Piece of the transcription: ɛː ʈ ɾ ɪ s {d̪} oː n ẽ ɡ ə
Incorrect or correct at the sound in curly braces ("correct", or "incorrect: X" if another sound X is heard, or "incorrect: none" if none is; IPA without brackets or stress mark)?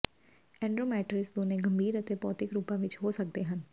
correct